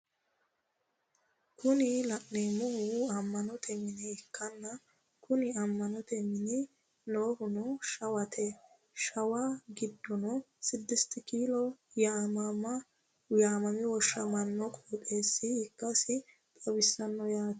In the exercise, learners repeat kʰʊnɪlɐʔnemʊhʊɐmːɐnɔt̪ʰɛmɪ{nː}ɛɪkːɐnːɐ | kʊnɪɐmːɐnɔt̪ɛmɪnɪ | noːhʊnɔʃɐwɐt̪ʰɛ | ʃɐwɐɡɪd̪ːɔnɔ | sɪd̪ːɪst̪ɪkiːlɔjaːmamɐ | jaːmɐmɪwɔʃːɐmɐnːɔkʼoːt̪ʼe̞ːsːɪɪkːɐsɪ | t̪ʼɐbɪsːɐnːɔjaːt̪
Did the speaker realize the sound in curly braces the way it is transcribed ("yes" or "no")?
no